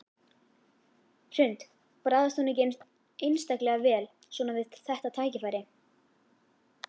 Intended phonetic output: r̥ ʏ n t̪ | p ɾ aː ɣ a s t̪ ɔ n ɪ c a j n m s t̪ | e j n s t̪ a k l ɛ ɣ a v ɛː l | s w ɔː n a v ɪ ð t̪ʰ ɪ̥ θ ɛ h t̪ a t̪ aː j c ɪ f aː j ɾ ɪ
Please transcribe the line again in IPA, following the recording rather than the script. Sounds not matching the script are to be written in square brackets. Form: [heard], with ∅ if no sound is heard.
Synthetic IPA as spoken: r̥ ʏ n t̪ | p ɾ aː [ð] a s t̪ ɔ n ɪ c [e] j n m s t̪ | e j n s t̪ a k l ɛ ɣ a v ɛː l | s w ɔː n a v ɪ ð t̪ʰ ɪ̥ θ ɛ h t̪ a [t̪ʰ] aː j c ɪ f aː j ɾ ɪ